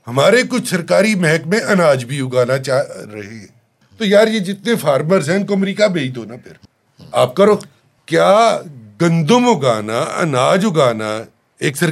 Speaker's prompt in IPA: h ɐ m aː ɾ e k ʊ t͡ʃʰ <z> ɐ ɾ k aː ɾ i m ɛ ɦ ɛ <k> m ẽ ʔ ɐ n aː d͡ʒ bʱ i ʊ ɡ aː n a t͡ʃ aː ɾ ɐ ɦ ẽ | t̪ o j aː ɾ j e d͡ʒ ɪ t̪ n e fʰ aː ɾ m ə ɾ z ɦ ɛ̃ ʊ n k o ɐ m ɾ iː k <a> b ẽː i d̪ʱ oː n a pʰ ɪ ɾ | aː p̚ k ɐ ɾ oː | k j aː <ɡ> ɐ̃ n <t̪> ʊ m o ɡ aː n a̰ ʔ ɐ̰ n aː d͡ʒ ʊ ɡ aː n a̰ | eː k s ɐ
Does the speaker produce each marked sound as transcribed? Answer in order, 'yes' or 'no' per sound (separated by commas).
no, yes, yes, yes, no